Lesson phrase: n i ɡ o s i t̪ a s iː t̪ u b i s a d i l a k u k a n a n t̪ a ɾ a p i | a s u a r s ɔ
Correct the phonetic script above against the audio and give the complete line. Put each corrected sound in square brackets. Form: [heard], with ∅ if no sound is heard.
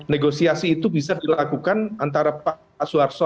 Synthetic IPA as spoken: n [e] ɡ o s i [∅] a s iː t̪ u b i s a d i l a k u k a n a n t̪ a ɾ a p [a] | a s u a r s ɔ